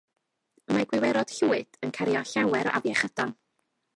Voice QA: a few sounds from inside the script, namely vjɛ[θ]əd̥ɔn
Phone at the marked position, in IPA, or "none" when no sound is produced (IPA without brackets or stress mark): χ